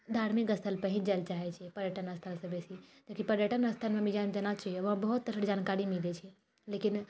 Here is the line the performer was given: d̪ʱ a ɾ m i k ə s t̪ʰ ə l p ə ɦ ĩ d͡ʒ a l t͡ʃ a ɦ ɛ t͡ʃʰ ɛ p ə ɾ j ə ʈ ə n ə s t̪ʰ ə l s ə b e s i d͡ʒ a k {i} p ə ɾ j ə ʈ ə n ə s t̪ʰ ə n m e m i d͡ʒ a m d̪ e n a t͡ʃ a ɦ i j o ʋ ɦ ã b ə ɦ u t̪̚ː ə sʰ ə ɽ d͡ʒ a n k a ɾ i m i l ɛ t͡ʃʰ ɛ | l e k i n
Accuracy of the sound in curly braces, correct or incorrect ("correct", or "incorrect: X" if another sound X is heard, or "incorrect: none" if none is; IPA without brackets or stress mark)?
correct